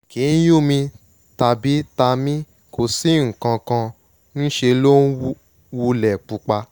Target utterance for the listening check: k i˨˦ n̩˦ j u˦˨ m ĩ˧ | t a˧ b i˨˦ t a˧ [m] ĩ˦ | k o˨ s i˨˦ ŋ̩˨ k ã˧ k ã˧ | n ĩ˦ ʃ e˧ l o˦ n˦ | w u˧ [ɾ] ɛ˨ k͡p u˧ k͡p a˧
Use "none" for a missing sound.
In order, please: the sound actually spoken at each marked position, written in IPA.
m, l

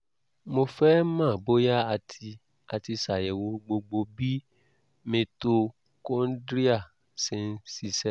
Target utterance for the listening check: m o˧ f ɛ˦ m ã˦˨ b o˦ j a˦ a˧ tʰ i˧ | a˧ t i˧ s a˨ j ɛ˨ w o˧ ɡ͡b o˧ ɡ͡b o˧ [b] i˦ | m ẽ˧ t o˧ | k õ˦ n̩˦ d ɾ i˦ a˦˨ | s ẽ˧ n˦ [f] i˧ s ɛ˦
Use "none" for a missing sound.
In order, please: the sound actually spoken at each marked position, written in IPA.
b, s

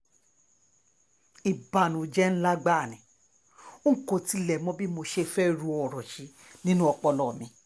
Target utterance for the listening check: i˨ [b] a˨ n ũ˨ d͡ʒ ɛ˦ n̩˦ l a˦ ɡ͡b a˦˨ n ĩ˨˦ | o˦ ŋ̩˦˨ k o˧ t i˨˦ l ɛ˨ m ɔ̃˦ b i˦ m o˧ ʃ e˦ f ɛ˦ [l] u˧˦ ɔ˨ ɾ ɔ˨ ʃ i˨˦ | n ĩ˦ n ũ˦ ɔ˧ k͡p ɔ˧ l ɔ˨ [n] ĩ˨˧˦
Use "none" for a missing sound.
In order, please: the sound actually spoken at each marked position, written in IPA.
b, ɾ, m

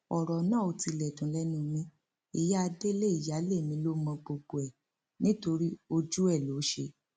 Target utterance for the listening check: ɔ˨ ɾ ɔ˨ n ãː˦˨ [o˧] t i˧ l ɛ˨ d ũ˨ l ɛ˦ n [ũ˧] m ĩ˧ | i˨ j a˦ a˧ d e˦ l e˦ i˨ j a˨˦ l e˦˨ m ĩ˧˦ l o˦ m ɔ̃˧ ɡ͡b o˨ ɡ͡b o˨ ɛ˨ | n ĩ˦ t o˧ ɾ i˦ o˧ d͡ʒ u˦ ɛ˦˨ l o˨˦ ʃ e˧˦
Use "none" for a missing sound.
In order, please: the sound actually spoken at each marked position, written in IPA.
o˧, ũ˧

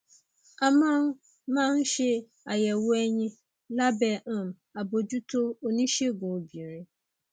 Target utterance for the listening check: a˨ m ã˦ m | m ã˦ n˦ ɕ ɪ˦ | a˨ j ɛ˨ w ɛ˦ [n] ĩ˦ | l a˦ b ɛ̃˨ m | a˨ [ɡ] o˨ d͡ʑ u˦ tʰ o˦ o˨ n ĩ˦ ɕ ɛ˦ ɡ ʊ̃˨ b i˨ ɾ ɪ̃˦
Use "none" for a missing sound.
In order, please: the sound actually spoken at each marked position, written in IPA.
ɲ, b

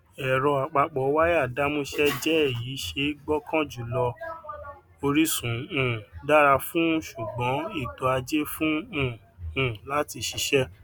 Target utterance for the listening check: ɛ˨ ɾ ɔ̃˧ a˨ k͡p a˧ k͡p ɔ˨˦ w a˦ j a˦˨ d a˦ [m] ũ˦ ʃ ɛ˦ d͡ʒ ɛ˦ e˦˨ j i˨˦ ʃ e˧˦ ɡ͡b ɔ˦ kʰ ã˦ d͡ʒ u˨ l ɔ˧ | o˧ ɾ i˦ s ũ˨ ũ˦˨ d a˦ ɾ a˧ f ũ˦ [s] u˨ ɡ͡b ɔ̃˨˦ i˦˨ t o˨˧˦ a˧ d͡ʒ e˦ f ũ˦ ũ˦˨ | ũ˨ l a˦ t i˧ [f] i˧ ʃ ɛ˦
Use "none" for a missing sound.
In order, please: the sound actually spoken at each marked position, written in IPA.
m, ʃ, ʃ

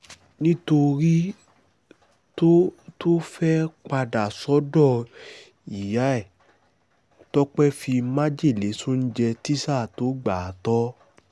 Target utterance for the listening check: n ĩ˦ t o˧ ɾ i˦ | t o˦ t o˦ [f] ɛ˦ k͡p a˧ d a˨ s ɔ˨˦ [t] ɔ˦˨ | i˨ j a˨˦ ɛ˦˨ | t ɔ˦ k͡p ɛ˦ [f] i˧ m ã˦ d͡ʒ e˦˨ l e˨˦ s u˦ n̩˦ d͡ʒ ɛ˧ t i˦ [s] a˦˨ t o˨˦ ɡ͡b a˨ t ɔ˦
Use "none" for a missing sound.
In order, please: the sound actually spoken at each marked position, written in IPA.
f, d, f, s

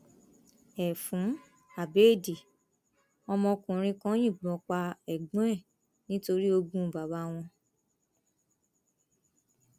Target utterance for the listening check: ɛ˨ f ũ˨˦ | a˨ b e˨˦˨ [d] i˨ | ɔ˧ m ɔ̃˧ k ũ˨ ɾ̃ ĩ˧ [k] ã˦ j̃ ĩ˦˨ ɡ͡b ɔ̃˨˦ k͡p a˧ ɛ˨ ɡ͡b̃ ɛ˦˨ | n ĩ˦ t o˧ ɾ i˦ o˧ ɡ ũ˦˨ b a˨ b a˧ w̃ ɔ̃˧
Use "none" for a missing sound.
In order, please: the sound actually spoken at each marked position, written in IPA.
d, k

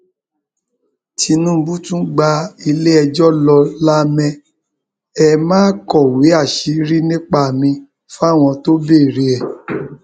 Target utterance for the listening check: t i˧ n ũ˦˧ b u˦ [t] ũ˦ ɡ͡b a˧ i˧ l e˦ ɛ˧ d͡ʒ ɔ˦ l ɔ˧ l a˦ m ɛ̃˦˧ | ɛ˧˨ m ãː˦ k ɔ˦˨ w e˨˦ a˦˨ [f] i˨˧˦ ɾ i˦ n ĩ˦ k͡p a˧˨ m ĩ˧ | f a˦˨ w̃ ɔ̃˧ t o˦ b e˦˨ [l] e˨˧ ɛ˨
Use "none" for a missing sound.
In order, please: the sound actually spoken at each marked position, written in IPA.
t, ʃ, ɾ

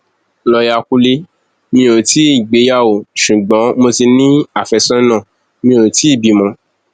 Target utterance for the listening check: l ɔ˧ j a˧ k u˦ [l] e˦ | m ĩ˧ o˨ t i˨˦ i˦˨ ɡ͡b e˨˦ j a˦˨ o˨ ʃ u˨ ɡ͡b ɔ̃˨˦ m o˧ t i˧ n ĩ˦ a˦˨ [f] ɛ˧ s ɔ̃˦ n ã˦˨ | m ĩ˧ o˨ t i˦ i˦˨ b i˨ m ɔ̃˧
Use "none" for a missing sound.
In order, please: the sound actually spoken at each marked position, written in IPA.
l, f

